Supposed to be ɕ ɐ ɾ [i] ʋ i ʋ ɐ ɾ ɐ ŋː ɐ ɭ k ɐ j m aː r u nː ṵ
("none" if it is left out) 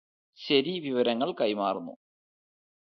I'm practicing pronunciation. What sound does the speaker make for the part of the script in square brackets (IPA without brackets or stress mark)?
i